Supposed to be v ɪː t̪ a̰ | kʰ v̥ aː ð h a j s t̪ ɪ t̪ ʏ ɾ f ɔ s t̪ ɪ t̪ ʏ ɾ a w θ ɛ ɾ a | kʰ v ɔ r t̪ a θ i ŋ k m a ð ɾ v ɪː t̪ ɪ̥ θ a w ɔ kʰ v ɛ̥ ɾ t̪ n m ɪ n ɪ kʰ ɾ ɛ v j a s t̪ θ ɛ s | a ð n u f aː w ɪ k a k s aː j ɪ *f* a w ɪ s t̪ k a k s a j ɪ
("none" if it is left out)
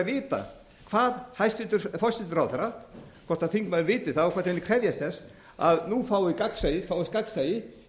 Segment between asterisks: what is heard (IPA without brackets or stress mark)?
f